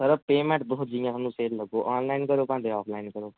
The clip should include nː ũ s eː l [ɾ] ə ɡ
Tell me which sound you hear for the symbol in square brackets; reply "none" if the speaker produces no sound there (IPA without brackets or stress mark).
l